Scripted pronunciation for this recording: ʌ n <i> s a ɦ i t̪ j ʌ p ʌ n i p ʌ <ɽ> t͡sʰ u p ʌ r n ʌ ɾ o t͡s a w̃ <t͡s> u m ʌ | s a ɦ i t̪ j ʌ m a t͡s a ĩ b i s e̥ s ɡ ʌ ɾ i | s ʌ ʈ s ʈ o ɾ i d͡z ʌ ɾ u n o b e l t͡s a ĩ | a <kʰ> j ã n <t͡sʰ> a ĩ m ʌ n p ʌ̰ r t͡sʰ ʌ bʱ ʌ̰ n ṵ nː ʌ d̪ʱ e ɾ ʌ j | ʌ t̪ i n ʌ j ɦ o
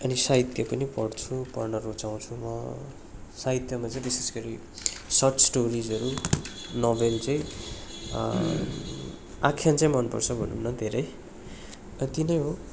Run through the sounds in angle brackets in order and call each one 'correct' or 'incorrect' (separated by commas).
correct, correct, incorrect, correct, incorrect